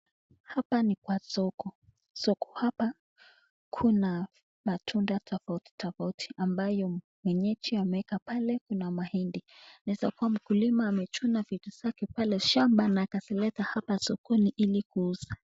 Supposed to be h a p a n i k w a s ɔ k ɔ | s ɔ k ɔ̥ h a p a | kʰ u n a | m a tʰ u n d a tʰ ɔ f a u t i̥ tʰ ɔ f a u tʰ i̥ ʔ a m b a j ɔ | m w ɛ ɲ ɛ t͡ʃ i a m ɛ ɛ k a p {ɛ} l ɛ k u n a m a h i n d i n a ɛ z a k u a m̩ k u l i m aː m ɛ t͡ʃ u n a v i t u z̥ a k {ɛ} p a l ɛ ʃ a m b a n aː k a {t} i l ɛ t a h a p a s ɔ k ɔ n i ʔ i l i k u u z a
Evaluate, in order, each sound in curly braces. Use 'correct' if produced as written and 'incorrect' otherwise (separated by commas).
incorrect, correct, incorrect